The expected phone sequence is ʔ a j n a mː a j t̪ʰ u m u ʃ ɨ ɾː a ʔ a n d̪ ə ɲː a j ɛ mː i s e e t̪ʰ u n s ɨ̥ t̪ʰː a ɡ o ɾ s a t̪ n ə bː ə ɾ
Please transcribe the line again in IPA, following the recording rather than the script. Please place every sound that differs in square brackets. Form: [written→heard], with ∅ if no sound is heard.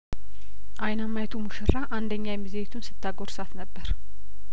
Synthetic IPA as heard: ʔ a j n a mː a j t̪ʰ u m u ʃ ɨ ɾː a ʔ a n d̪ ə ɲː a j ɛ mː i [s→z] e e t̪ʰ u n s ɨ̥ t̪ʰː a ɡ o ɾ s a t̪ n ə bː ə ɾ